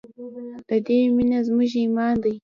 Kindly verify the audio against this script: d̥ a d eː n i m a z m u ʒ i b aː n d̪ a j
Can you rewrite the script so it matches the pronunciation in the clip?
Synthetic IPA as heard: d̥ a d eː m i n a z m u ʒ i m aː n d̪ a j

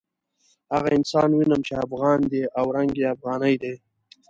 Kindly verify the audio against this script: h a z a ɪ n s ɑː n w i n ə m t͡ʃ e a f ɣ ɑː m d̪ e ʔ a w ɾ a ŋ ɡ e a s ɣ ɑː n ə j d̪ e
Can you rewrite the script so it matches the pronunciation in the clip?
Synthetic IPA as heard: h a ɣ a ɪ n s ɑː n w i n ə m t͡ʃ e a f ɣ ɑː n d̪ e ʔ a w ɾ a ŋ ɡ e a f ɣ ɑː n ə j d̪ e

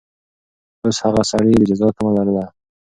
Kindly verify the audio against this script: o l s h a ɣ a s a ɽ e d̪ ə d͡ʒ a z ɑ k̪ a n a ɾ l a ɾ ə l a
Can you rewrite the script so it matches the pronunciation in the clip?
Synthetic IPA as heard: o s h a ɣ a s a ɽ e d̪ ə d͡ʒ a z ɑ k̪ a m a l a ɾ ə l a

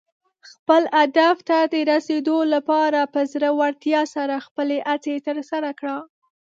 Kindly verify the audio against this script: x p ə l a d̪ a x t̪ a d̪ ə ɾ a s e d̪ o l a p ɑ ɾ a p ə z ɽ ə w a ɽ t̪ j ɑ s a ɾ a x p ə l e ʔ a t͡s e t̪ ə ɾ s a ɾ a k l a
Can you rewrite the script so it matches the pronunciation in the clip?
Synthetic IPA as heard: x p ə l a d̪ a f t̪ a d̪ ə ɾ a s e d̪ o l a p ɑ ɾ a p ə z ɾ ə w a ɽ t̪ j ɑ s a ɾ a x p ə l e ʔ a t͡s e t̪ ə ɾ s a ɾ a k ɽ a

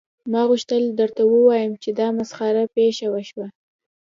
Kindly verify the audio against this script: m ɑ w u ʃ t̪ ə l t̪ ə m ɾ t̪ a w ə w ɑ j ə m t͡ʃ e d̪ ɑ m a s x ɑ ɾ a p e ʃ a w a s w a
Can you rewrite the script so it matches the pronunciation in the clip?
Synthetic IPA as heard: m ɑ ɣ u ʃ t̪ ə l d̪ ə ɾ t̪ a w ə w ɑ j ə m t͡ʃ e d̪ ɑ m a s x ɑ ɾ a p e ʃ a w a ʃ w a

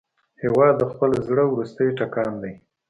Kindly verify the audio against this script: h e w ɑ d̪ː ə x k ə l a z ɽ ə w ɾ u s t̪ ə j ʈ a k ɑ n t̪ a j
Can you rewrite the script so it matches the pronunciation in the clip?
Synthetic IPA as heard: h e w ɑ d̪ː ə x p ə l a z ɽ ə w ɾ u s t̪ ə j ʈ a k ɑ n d̪ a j

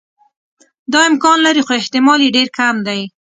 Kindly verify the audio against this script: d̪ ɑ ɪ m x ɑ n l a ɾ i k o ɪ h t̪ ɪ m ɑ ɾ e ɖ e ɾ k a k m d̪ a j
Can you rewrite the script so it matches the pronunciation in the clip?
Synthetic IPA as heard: d̪ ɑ ɪ m k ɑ n l a ɾ i x o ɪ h t̪ ɪ m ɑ l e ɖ e ɾ k a m d̪ a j

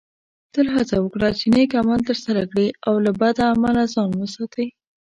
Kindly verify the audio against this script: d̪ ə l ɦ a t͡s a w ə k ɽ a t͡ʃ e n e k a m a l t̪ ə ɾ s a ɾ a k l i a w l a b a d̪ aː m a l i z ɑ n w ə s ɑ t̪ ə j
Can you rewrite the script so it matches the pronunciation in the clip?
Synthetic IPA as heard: t̪ ə l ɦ a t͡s a w ə k ɽ a t͡ʃ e n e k a m a l t̪ ə ɾ s a ɾ a k ɽ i a w l a b a d̪ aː m a l a z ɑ n w ə s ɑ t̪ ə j

